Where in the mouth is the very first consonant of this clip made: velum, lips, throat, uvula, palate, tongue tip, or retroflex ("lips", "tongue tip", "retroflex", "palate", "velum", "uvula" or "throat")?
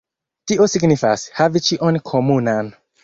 tongue tip